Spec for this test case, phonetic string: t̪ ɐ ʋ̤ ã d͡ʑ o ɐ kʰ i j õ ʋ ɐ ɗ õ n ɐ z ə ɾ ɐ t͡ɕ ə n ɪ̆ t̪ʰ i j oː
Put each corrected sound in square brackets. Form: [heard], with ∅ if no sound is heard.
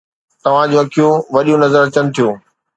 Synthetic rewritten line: t̪ ɐ ʋ̤ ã d͡ʑ o ɐ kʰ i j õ ʋ ɐ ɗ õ n ɐ z ə ɾ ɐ t͡ɕ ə n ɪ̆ t̪ʰ i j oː